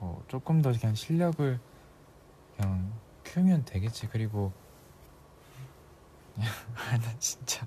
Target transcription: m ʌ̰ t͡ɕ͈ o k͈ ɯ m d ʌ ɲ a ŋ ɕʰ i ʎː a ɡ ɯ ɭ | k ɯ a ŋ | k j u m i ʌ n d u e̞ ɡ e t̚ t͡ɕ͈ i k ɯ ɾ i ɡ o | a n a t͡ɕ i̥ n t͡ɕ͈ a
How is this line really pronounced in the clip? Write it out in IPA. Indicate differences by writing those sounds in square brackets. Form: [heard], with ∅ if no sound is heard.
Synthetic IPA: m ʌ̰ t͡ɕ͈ o k͈ ɯ m d ʌ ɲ a ŋ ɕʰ i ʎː [ʌ] ɡ ɯ ɭ | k ɯ a ŋ | [kʰ] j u m [j] ʌ n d [w] e̞ ɡ e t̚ t͡ɕ͈ i k ɯ ɾ i ɡ o | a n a t͡ɕ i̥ n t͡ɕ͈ a